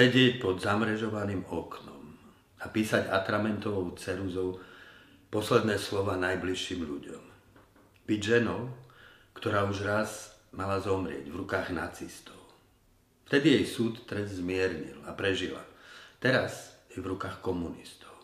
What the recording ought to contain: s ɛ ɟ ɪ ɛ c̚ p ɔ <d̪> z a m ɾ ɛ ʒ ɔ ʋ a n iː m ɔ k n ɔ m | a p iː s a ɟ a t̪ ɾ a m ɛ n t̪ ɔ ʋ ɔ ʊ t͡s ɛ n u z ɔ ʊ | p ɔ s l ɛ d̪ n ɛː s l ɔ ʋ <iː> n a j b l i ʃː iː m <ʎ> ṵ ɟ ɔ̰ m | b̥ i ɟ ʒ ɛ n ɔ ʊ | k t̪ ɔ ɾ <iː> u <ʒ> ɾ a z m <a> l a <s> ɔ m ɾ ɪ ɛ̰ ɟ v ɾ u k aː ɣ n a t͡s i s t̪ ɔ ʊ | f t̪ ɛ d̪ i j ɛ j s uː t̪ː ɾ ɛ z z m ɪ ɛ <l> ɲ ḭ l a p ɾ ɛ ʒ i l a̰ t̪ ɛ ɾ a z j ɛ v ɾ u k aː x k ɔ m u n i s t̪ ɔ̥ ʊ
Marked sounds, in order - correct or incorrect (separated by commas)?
correct, incorrect, correct, incorrect, correct, correct, incorrect, incorrect